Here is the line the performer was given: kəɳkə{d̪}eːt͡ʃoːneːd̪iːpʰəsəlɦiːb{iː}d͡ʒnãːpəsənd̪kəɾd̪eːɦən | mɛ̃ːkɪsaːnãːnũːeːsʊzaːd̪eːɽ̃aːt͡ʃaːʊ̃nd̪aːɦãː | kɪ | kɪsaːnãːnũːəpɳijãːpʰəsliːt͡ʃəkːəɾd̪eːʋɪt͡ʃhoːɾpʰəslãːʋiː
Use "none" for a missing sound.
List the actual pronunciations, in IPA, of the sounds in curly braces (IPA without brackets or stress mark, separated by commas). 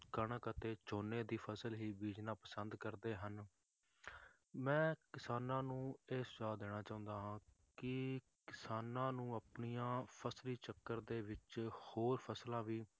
t̪, iː